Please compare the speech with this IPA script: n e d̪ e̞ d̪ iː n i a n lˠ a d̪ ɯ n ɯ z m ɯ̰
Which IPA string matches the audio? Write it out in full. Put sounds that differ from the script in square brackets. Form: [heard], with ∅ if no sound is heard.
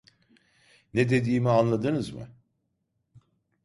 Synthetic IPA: n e d̪ e̞ d̪ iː [m] i a n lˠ a d̪ ɯ n ɯ z m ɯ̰